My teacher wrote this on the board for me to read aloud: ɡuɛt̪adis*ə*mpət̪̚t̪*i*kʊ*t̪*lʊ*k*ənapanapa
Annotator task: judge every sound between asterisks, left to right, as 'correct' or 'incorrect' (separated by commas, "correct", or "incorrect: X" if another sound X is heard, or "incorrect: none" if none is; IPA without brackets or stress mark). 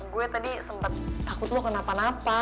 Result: correct, incorrect: a, correct, correct